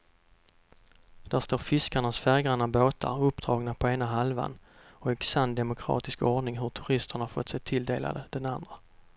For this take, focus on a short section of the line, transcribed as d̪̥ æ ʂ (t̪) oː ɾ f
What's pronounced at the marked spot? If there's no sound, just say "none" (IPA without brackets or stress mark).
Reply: t̪